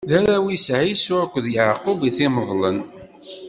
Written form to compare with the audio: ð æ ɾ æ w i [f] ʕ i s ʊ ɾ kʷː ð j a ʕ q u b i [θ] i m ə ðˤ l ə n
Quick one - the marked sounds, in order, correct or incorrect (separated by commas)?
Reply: incorrect, correct